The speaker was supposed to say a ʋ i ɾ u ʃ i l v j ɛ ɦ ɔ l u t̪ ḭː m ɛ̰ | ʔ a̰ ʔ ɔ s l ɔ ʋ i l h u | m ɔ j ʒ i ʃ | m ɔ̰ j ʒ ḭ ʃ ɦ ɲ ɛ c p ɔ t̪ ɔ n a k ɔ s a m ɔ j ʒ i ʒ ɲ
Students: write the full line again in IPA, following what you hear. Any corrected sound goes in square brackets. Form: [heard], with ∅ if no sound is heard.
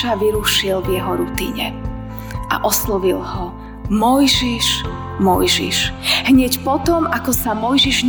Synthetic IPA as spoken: a ʋ i ɾ u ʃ i l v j ɛ ɦ ɔ [ɾ] u t̪ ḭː [ɲ] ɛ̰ | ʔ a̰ ʔ ɔ s l ɔ ʋ i l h [ɔ] | m ɔ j ʒ i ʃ | m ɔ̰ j ʒ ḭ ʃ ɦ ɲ ɛ c p ɔ t̪ ɔ [m] a k ɔ s a m ɔ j ʒ i ʒ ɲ